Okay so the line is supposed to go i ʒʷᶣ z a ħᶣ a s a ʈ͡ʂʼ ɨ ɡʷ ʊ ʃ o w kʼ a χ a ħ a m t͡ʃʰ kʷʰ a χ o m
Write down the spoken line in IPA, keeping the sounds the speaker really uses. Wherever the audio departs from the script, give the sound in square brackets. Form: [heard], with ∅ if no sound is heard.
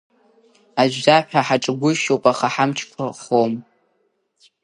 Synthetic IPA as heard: [a] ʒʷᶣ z a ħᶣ a [ħ] a ʈ͡ʂʼ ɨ ɡʷ ʊ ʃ o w [pʼ] a χ a ħ a m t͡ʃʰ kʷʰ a χ o m